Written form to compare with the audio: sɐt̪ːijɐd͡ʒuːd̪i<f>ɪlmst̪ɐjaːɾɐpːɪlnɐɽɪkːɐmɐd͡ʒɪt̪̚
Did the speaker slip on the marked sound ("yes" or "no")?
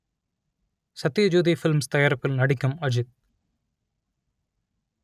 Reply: no